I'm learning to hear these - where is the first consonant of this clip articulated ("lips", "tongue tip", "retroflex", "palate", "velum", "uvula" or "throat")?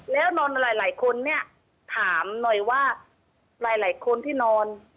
tongue tip